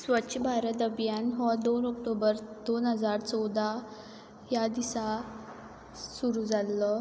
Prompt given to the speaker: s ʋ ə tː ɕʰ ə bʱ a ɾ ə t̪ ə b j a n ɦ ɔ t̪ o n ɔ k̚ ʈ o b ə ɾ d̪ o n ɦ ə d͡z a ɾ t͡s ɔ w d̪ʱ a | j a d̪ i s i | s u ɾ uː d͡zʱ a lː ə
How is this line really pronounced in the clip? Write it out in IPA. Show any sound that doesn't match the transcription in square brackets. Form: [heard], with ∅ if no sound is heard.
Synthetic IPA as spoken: s ʋ ə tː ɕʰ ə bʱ a ɾ ə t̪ ə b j a n ɦ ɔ [d̪] o n ɔ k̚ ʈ o b ə ɾ d̪ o n ɦ ə d͡z a ɾ t͡s ɔ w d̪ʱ a | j a d̪ i s [a] | s u ɾ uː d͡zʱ a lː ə

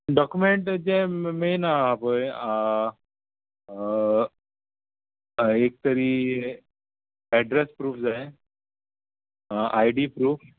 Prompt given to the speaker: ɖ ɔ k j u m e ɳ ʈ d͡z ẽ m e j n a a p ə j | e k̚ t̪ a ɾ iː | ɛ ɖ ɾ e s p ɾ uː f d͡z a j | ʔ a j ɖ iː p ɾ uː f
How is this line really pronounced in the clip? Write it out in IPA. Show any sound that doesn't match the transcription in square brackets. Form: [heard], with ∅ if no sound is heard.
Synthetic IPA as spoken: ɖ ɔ k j u m e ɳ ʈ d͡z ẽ m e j n a a p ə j | e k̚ t̪ [ə] ɾ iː | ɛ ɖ ɾ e s p ɾ uː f d͡z a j | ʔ a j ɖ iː p ɾ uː f

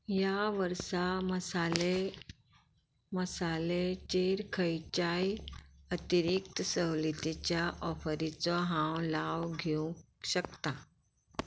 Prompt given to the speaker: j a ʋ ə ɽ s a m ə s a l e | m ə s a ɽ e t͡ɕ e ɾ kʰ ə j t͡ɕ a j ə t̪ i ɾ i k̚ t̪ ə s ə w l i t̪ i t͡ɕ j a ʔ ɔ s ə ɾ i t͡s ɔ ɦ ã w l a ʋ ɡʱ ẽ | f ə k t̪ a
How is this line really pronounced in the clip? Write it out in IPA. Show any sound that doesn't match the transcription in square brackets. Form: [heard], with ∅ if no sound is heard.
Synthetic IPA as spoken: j a ʋ ə [ɾ] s a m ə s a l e | m ə s a [l] e t͡ɕ e ɾ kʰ ə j t͡ɕ a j ə t̪ i ɾ i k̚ t̪ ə s ə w l i t̪ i t͡ɕ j a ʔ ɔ [f] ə ɾ i t͡s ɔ ɦ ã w l a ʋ ɡʱ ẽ | [ɕ] ə k t̪ a

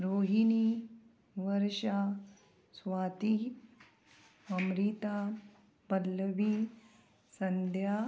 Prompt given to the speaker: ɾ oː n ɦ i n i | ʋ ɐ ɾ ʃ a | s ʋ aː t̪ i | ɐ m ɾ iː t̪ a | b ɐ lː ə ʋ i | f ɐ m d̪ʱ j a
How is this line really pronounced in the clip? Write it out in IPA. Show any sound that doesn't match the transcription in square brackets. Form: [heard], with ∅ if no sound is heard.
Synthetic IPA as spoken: ɾ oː [∅] ɦ i n i | ʋ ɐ ɾ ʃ a | s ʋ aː t̪ i | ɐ m ɾ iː t̪ a | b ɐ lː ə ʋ i | [s] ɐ [n] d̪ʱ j a

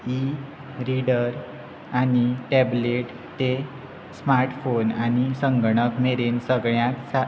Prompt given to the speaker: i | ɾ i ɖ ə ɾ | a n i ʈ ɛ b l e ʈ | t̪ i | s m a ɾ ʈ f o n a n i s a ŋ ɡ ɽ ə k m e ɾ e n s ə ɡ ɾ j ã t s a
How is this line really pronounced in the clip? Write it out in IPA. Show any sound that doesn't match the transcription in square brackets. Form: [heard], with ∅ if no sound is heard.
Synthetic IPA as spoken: i | ɾ i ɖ ə ɾ | a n i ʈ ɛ b l e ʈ | t̪ [e] | s m a ɾ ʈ f o n a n i s [ə] ŋ ɡ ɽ ə k m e ɾ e n s ə ɡ [ɭ] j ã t s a

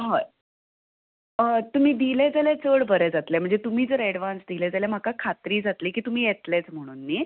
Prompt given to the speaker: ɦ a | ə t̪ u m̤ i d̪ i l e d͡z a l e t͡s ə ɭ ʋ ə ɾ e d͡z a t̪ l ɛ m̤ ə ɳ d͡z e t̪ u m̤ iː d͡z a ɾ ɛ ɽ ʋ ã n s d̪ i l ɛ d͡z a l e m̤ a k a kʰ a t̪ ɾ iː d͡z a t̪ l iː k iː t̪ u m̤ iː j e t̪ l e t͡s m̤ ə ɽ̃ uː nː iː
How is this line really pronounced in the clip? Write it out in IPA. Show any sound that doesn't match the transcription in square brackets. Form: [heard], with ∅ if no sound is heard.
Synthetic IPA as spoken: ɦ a | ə t̪ u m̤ [iː] d̪ i l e d͡z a l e t͡s ə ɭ ʋ ə ɾ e d͡z a t̪ l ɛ m̤ ə ɳ d͡z e t̪ u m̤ iː d͡z [ə] ɾ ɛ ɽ ʋ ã n s d̪ i l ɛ d͡z a l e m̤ a k a kʰ a t̪ ɾ iː d͡z a t̪ l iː k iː t̪ u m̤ iː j e t̪ l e t͡s m̤ ə ɽ̃ uː nː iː

